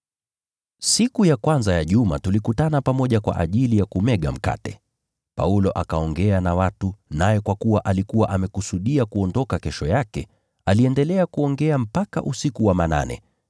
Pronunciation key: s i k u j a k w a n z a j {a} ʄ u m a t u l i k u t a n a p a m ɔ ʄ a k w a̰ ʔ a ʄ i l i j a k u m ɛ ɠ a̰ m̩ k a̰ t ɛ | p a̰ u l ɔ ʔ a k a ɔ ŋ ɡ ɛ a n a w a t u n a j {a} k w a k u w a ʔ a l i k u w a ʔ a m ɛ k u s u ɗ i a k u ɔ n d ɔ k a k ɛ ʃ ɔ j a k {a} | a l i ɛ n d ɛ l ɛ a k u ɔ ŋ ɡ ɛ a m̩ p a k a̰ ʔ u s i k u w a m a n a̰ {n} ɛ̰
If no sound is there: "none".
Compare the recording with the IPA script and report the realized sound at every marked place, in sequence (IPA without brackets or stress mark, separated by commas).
a, ɛ, ɛ, n